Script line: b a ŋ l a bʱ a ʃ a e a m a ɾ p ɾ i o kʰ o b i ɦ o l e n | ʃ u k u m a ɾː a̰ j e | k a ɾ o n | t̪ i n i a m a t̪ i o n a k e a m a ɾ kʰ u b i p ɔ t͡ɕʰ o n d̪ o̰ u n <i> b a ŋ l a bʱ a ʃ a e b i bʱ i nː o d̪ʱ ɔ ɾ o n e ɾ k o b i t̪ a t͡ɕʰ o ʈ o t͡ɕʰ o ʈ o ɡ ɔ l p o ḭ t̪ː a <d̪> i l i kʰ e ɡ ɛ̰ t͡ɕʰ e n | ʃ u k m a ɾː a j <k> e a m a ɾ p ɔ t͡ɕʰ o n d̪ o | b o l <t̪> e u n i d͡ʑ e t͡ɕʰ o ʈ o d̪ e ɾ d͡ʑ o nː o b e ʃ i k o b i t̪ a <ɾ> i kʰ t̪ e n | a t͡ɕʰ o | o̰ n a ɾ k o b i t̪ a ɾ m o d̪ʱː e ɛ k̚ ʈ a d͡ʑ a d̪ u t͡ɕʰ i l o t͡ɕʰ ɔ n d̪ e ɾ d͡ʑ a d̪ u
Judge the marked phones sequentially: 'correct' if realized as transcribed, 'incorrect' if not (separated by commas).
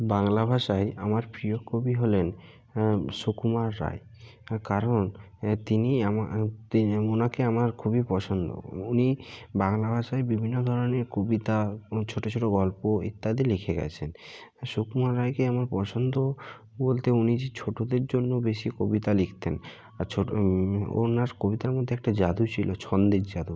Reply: correct, correct, correct, correct, incorrect